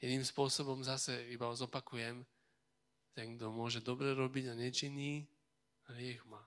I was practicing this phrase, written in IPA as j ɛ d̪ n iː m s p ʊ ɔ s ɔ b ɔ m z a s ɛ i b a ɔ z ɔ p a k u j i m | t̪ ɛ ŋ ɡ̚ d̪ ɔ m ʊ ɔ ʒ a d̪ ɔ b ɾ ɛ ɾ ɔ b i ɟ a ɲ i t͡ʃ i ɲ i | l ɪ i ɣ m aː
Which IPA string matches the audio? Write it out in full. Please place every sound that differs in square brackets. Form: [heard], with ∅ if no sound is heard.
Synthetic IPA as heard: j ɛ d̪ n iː m s p ʊ ɔ s ɔ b ɔ m z a s ɛ i b a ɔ z ɔ p a k u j [ɛ] m | t̪ ɛ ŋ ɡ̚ d̪ ɔ m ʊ ɔ ʒ [ɛ] d̪ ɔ b ɾ ɛ ɾ ɔ b i ɟ a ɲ [ɛ] t͡ʃ i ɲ i | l ɪ [ɛ] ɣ m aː